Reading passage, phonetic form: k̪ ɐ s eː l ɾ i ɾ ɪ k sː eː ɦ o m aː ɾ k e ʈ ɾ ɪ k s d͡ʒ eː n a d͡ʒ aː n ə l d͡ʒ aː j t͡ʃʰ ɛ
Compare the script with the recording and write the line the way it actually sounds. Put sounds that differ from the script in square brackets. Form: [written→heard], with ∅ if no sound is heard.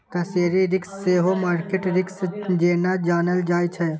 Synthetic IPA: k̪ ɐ s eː [l→∅] ɾ i ɾ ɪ k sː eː ɦ o m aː ɾ k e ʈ ɾ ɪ k s d͡ʒ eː n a d͡ʒ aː n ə l d͡ʒ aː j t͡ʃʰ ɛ